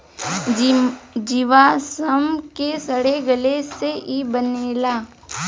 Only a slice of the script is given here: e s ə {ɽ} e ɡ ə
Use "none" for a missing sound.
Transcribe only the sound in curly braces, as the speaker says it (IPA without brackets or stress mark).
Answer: ɽ